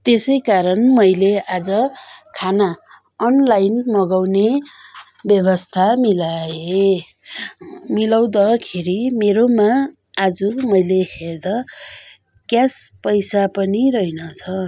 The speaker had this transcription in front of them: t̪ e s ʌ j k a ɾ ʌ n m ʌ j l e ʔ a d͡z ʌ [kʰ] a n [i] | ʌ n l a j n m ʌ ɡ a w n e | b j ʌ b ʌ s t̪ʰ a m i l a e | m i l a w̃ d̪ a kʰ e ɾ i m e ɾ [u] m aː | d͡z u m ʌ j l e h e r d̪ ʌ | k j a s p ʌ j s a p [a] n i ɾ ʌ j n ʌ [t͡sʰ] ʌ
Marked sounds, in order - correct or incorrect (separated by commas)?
correct, incorrect, incorrect, incorrect, correct